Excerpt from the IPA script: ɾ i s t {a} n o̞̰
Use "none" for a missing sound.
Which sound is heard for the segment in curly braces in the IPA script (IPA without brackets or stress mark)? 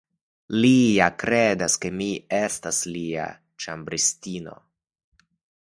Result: i